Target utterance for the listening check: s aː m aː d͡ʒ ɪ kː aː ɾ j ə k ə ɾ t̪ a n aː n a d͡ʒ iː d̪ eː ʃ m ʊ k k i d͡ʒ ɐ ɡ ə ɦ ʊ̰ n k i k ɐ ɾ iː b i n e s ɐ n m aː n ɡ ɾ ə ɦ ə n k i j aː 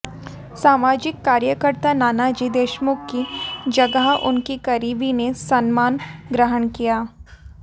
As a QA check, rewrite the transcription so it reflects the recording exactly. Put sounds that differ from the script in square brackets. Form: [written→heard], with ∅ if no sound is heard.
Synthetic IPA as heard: s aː m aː d͡ʒ ɪ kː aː ɾ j ə k ə ɾ t̪ a n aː n a d͡ʒ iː d̪ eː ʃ m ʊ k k i d͡ʒ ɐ ɡ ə ɦ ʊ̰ n k i k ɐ ɾ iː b i n e s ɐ n m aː n ɡ ɾ ə ɦ ə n k i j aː